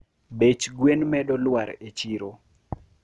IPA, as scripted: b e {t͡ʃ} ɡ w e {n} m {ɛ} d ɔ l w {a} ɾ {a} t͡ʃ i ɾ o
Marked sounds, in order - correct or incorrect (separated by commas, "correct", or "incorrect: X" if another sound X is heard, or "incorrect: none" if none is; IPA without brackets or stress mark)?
correct, correct, correct, correct, incorrect: e